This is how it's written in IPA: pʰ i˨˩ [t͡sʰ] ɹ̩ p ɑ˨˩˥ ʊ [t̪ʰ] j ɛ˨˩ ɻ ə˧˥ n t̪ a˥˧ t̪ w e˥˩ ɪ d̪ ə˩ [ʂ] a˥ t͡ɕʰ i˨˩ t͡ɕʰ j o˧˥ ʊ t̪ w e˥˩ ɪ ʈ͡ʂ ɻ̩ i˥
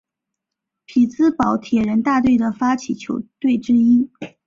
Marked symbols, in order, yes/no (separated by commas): no, yes, no